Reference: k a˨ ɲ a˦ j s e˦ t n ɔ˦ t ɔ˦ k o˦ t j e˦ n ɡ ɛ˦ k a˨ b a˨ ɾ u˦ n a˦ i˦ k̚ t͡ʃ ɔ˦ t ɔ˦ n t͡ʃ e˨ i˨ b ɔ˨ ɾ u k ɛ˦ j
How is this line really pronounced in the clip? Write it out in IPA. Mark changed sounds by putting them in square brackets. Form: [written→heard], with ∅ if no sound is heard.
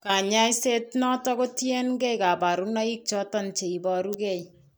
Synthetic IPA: k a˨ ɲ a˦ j s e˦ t n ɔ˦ t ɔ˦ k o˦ t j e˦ n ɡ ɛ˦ k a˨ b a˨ ɾ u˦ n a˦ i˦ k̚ t͡ʃ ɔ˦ t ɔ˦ n t͡ʃ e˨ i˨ b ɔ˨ ɾ u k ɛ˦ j